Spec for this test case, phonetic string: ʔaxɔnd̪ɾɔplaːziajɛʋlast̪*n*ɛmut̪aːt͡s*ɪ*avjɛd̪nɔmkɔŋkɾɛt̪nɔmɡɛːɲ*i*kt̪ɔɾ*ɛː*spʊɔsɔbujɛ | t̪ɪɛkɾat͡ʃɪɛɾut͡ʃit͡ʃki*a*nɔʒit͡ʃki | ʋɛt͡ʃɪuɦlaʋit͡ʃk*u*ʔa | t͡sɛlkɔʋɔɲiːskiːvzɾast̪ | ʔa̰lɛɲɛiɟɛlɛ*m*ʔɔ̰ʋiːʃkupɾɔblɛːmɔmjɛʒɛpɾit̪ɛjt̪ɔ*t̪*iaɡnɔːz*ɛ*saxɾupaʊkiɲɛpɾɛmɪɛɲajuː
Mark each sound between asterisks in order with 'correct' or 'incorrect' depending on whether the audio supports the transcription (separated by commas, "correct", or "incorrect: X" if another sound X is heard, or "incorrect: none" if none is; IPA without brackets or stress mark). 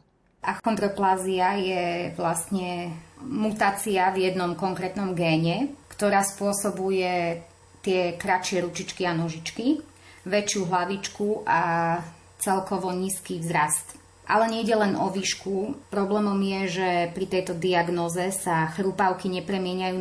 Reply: incorrect: ɲ, incorrect: i, incorrect: ɛ, incorrect: aː, correct, correct, incorrect: n, incorrect: d̪, correct